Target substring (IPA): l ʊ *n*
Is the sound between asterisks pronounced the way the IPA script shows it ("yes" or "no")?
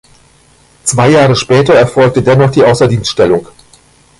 no